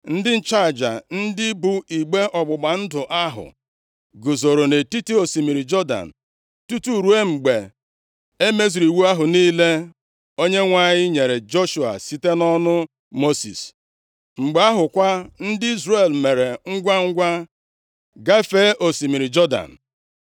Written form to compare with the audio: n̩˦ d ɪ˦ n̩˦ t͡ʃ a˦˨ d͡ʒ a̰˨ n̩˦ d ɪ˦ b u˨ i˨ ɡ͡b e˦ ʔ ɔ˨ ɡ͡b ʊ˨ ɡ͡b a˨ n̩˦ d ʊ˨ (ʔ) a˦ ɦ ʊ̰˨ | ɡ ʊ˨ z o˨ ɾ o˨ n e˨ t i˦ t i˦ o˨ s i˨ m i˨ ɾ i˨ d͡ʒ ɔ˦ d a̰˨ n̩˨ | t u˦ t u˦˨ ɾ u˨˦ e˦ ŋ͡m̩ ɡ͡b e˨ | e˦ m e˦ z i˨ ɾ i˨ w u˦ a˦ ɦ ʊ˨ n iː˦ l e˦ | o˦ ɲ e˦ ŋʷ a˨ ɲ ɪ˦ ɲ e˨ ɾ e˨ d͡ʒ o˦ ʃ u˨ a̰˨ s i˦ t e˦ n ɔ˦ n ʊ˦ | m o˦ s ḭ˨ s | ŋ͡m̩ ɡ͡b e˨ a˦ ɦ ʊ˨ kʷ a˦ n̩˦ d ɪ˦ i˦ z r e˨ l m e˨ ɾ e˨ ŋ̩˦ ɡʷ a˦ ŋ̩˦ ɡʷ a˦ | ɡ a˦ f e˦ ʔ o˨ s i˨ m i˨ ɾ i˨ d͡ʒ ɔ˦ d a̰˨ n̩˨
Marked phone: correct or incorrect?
correct